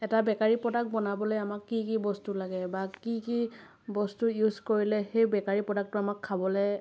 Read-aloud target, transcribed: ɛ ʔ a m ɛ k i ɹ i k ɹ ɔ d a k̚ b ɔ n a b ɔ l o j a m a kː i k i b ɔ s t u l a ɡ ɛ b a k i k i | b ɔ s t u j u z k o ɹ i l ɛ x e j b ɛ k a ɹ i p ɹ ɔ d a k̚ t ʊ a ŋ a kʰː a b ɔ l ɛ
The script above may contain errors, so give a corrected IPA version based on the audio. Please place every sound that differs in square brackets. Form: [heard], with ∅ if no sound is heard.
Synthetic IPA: ɛ [t] a [b] ɛ k [a] ɹ i [p] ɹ ɔ d a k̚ b ɔ n a b ɔ l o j a m a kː i k i b ɔ s t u l a ɡ ɛ b a k i k i | b ɔ s t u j u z k o ɹ i l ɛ x e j b ɛ k a ɹ i p ɹ ɔ d a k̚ t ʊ a [m] a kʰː a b ɔ l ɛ